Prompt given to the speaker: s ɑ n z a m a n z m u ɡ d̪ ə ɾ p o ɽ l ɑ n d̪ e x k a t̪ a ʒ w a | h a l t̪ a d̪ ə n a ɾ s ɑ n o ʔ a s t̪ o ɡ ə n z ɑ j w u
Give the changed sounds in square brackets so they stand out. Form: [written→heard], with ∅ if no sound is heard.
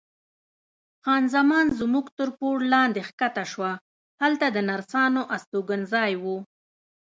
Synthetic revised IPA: [s→x] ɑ n z a m [a→ɑ] n z m u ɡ [d̪→t̪] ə ɾ p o ɽ l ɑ n d̪ e x k a t̪ a [ʒ→ʃ] w a | h a l t̪ a d̪ ə n a ɾ s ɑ n o ʔ a s t̪ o ɡ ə n z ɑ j w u